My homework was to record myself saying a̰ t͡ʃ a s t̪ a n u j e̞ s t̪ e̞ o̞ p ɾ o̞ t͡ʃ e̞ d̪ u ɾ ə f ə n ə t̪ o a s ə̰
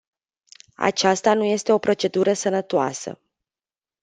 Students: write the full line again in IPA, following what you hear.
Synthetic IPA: a̰ t͡ʃ a s t̪ a n u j e̞ s t̪ e̞ o̞ p ɾ o̞ t͡ʃ e̞ d̪ u ɾ ə s ə n ə t̪ o a s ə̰